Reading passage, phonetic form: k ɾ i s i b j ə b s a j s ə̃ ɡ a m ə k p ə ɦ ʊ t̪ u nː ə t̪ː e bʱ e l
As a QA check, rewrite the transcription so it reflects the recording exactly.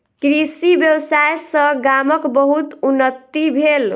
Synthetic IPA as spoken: k ɾ i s i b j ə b s a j s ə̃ ɡ a m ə k b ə ɦ u t̪ u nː ə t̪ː i bʱ e l